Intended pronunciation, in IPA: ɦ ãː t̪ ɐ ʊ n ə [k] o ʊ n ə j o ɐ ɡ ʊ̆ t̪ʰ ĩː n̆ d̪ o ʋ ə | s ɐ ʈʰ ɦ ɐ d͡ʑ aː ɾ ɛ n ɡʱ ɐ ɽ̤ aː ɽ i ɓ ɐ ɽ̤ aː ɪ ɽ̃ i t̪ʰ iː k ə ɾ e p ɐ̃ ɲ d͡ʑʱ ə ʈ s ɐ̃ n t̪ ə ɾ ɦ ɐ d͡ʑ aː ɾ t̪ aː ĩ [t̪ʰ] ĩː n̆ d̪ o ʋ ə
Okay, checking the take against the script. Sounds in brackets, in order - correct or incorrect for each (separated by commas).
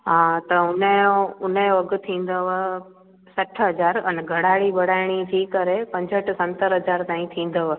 incorrect, correct